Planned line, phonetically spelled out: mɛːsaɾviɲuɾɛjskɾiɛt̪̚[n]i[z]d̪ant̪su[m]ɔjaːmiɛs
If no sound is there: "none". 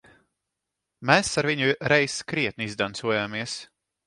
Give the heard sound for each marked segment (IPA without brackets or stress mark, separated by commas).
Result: n, z, none